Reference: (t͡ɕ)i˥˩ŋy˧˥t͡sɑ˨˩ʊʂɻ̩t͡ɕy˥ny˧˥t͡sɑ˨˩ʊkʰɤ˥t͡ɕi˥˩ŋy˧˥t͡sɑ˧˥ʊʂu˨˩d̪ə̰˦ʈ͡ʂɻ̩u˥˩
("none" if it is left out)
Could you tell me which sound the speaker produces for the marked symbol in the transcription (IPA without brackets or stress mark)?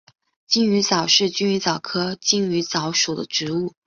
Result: t͡ɕ